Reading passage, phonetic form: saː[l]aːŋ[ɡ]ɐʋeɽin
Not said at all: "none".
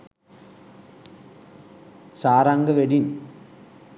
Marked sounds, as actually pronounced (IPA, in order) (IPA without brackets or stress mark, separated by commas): ɾ, ɡ